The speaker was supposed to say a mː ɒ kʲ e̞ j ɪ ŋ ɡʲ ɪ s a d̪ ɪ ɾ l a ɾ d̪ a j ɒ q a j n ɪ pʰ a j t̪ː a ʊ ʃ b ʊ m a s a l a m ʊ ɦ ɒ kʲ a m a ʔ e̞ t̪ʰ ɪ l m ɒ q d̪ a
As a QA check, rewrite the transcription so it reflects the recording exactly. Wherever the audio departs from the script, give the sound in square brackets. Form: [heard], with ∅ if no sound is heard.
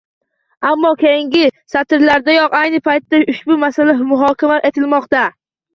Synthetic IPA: a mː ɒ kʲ e̞ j ɪ ŋ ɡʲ ɪ s a [t̪] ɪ ɾ l a ɾ d̪ a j ɒ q a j n ɪ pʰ a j t̪ː a ʊ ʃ b ʊ m a s a l a m ʊ ɦ ɒ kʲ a m a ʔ e̞ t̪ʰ ɪ l m ɒ q [t̪] a